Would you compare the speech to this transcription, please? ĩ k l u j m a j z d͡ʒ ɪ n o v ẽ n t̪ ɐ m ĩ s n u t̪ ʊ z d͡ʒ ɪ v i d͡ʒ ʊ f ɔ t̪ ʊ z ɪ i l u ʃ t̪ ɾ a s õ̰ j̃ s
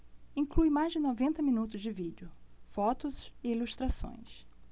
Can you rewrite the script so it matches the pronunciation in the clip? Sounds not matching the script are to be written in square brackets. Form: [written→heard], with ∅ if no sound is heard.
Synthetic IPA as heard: ĩ k l u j m a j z d͡ʒ ɪ n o v ẽ n t̪ ɐ m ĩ [s→∅] n u t̪ ʊ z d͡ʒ ɪ v i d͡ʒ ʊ f ɔ t̪ ʊ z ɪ i l u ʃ t̪ ɾ a s õ̰ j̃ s

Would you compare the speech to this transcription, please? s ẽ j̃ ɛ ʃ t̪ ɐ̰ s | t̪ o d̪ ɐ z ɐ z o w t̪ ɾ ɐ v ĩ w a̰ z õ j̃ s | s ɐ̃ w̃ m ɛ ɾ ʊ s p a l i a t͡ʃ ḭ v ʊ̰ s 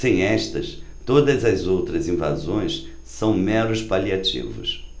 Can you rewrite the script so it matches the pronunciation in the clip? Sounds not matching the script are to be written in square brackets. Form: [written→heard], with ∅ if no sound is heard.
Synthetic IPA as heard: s ẽ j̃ ɛ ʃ t̪ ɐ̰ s | t̪ o d̪ ɐ z ɐ z o w t̪ ɾ ɐ [v→z] ĩ [w→v] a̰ z õ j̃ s | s ɐ̃ w̃ m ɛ ɾ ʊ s p a l i a t͡ʃ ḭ v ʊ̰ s

